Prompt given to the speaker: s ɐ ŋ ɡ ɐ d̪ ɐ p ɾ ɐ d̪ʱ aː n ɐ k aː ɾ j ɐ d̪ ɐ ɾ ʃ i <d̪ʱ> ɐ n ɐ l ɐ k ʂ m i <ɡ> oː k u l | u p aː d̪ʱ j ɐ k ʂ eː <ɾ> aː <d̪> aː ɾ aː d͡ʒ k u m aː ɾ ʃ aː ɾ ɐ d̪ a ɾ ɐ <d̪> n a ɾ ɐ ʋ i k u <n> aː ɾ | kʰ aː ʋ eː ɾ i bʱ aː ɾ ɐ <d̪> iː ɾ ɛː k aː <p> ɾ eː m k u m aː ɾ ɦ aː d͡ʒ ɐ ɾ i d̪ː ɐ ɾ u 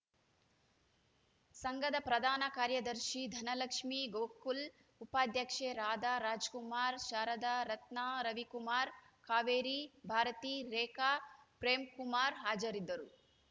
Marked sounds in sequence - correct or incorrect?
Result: correct, correct, correct, correct, incorrect: t̪, incorrect: m, incorrect: t̪, correct

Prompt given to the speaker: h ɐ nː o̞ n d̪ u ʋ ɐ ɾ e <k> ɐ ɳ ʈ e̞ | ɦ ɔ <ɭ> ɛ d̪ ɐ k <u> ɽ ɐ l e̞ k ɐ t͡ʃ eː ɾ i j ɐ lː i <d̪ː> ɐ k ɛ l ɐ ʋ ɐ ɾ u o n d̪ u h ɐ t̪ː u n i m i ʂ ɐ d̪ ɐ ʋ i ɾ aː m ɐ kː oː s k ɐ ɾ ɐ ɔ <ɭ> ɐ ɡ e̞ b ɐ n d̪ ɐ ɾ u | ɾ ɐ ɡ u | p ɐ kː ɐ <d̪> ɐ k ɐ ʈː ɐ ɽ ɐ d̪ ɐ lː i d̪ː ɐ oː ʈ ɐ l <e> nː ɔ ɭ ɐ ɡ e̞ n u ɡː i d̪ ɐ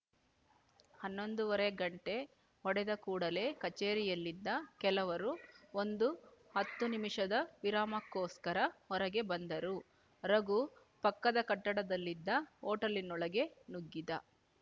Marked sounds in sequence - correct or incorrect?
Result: incorrect: ɡ, incorrect: ɽ, incorrect: uː, correct, incorrect: ɾ, correct, incorrect: i

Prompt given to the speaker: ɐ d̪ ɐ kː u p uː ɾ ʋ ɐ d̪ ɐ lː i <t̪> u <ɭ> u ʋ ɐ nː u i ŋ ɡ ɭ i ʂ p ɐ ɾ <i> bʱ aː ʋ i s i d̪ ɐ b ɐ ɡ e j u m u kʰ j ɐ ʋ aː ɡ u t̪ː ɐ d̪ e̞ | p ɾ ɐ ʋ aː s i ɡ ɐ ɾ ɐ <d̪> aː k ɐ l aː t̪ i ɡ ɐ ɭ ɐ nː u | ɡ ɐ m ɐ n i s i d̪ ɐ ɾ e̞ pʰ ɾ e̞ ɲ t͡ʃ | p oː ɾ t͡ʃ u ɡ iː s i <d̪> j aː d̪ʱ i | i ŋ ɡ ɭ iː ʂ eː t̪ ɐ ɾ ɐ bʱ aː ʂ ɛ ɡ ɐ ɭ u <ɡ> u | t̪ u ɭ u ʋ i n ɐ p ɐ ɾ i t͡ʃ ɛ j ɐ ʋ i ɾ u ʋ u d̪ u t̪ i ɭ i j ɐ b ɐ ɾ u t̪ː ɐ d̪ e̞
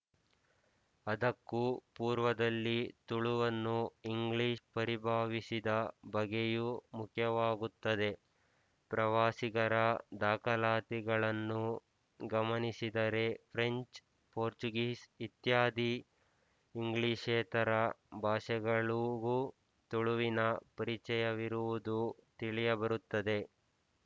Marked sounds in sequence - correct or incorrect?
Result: correct, correct, correct, correct, incorrect: t̪, correct

